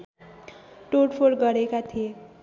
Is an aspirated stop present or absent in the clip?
present